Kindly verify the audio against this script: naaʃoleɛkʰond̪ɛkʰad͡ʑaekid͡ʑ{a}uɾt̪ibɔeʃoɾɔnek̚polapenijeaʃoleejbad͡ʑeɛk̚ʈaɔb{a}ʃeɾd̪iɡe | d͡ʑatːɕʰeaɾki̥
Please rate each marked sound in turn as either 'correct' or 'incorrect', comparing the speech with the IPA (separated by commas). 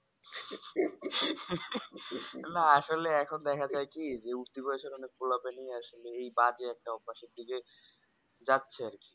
incorrect, correct